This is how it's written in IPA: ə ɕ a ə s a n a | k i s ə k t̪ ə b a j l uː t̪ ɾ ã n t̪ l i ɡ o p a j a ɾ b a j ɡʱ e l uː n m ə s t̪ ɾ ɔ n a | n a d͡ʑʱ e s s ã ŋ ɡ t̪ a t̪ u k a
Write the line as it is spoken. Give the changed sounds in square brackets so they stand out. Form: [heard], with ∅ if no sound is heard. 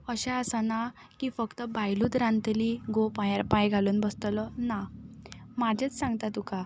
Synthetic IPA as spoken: ə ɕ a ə s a n a | k i [f] ə k t̪ ə b a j l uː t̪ ɾ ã n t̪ l i ɡ o p a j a ɾ [p] a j ɡʱ [a] l uː n [b] ə s t̪ [l] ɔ n a | [m] a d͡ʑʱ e [t͡s] s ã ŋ ɡ t̪ a t̪ u k a